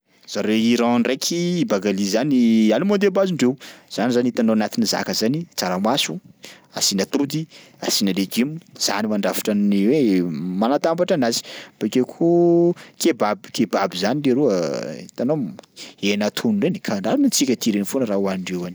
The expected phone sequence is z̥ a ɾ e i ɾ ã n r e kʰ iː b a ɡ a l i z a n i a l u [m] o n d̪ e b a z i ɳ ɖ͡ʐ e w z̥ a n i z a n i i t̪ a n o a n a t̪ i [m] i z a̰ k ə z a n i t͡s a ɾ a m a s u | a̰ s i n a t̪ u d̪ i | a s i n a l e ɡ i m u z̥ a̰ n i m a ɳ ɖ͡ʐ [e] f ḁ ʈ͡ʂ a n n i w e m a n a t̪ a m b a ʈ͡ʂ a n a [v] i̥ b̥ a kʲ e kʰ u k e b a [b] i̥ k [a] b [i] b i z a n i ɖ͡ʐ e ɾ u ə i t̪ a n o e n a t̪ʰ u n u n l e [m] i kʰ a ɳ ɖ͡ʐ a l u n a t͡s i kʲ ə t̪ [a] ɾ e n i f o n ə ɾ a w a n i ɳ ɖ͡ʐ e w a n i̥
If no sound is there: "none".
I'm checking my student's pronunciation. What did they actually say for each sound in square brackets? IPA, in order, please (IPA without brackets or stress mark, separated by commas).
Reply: m, n, a, z, b, e, a, n, i